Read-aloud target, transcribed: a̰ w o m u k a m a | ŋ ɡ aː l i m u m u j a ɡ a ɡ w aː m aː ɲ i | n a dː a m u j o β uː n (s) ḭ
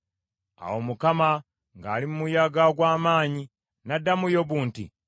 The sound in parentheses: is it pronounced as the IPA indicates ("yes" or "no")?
no